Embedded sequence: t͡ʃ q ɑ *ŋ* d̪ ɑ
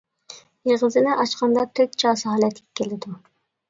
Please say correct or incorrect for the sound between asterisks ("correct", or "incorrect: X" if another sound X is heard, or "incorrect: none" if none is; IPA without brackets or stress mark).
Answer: incorrect: n